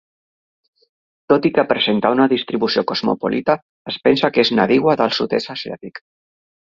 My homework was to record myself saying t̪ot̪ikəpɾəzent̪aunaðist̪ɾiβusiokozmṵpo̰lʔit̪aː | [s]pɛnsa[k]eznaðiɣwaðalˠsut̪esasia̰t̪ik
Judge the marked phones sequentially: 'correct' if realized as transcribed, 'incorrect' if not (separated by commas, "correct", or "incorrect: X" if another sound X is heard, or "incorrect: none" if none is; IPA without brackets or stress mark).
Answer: correct, correct